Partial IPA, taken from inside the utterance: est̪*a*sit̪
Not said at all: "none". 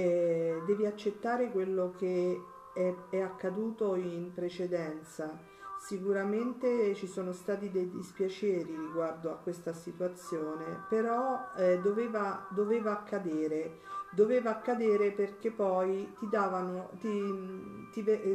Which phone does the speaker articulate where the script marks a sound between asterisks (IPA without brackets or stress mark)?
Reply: a